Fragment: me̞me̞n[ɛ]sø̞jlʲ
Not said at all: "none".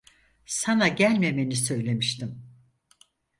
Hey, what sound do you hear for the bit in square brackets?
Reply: i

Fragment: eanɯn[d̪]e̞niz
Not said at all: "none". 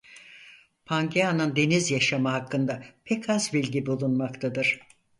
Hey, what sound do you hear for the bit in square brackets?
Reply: d̪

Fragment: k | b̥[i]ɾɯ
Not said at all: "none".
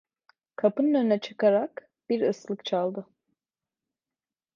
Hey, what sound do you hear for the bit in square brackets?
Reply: i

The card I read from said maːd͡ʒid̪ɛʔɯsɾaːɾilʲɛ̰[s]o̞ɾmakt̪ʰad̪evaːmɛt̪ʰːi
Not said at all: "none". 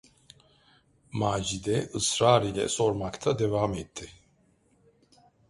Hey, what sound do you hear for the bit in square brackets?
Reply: s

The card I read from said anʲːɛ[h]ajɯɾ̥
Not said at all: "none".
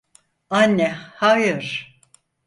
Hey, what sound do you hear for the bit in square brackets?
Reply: h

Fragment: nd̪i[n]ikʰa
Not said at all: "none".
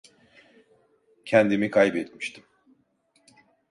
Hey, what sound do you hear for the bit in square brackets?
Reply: m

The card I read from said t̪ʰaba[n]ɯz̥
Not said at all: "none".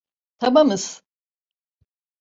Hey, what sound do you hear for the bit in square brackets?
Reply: m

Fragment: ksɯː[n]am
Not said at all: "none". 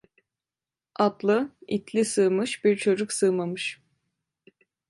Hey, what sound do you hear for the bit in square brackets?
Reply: m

